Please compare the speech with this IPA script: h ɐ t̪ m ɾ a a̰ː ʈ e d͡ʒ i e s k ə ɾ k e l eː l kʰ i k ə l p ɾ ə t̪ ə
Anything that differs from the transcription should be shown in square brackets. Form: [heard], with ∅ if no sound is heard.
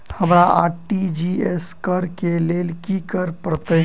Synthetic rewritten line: h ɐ [∅] m ɾ a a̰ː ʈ [i] d͡ʒ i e s k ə ɾ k e l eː l [k] i k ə [ɾ] p ɾ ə t̪ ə

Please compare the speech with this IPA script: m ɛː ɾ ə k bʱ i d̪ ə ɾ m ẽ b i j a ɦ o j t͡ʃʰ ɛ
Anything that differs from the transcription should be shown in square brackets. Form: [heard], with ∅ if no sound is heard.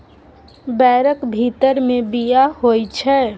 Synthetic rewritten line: [b] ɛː ɾ ə k bʱ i [t̪] ə ɾ m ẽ b i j a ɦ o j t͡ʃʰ ɛ

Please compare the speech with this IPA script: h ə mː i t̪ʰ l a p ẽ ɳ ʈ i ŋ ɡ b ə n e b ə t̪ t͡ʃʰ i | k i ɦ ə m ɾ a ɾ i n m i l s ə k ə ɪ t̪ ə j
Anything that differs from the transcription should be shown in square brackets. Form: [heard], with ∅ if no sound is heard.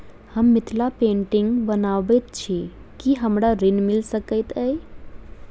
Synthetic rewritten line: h ə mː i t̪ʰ l a p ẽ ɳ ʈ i ŋ ɡ b ə n [a] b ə t̪ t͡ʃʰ i | k i ɦ ə m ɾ a ɾ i n m i l s ə k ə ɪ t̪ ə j

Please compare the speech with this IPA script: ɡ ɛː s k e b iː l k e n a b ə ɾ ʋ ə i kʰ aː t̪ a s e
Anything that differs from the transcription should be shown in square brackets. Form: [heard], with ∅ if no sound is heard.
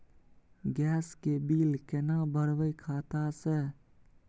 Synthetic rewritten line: ɡ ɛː s k e b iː l k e n a b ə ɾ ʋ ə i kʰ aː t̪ a s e

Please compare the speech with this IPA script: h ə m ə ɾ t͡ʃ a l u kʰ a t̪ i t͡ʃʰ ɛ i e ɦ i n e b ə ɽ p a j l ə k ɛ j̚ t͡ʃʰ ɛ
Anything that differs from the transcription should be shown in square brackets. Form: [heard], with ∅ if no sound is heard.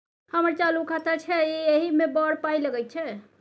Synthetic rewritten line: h ə m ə ɾ t͡ʃ a l u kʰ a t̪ [a] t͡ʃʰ ɛ i e ɦ i [m] e b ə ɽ p a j l ə [ɡ] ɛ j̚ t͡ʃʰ ɛ

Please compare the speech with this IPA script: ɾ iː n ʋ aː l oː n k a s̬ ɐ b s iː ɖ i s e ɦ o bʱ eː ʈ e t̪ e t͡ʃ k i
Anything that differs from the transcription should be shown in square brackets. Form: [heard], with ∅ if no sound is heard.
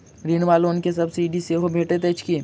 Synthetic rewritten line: ɾ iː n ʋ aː l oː n k [e] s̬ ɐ b s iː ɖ i s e ɦ o bʱ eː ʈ e t̪ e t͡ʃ k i

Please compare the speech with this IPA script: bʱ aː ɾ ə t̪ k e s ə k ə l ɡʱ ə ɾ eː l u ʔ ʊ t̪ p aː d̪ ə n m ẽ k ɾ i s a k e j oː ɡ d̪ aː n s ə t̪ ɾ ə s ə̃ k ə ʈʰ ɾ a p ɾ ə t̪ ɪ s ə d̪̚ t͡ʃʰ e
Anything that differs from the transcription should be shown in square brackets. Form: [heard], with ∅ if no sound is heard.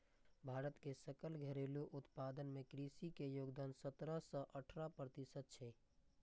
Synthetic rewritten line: bʱ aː ɾ ə t̪ k e s ə k ə l ɡʱ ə ɾ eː l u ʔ ʊ t̪ p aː d̪ ə n m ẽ k ɾ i s [i] k e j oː ɡ d̪ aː n s ə t̪ ɾ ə s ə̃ [ʔ] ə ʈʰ ɾ a p ɾ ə t̪ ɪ s ə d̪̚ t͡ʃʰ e

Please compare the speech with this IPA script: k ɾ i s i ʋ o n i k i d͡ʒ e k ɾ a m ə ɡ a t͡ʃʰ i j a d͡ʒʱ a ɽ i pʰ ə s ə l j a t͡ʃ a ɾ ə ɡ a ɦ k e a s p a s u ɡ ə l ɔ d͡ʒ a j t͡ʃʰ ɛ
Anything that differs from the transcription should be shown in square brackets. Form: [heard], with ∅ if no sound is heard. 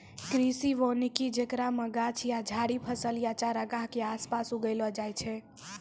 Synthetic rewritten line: k ɾ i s i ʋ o n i k i d͡ʒ e k ɾ a m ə ɡ a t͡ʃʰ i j a d͡ʒʱ a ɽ i pʰ ə s ə l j a t͡ʃ a ɾ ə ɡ a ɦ k e a s p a s u ɡ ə l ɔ d͡ʒ a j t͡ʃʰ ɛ

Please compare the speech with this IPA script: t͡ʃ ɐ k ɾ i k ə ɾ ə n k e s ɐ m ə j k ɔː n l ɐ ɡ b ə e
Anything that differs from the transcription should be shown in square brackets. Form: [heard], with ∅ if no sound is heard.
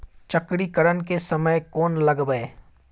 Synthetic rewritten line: t͡ʃ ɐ k [ɽ] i k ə ɾ ə n k e s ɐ m ə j k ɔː n l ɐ ɡ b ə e

